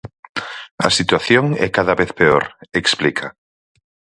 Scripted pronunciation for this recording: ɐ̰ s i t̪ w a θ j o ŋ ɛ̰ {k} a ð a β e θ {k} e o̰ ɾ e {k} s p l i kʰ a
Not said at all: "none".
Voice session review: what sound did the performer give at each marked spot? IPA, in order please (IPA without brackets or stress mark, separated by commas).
k, p, k